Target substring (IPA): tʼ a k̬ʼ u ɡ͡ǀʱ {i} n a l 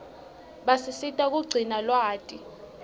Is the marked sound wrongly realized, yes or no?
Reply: no